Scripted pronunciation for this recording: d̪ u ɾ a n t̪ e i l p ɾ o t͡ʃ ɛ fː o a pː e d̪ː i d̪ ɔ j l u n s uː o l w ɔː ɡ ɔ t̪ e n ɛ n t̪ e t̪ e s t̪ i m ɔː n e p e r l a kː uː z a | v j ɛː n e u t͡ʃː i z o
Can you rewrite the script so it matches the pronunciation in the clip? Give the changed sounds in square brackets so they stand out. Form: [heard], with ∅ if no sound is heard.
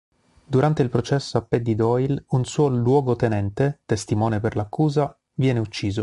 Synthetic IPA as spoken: d̪ u ɾ a n t̪ e i l p ɾ o t͡ʃ ɛ [sː] o a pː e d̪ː i d̪ ɔ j l u n s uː o l w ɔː ɡ [o] t̪ e n ɛ n t̪ e t̪ e s t̪ i m ɔː n e p e r l a kː uː z a | v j ɛː n e u t͡ʃː [iː] z o